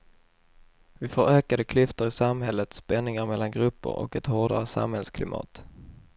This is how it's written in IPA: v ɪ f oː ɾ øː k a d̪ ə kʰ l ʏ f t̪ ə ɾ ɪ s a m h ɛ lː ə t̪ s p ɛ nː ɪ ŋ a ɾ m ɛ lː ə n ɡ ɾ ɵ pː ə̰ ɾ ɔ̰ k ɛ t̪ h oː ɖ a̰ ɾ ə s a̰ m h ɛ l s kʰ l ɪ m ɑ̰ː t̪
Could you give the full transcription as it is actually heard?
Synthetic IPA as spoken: v ɪ f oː ɾ øː k a d̪ ə kʰ l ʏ f t̪ ə ɾ ɪ s a m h ɛ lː ə t̪ s p ɛ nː ɪ ŋ a ɾ m ɛ lː a n ɡ ɾ ɵ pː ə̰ ɾ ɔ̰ k ɛ t̪ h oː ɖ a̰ ɾ ə s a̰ m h ɛ l s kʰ l ɪ m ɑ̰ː t̪